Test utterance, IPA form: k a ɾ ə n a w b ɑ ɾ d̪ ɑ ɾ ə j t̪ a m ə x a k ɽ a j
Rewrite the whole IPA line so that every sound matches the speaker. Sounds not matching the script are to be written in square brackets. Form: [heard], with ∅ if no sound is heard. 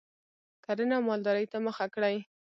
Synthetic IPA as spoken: k a ɾ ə n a w [m] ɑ [l] d̪ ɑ ɾ ə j t̪ a m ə x a k ɽ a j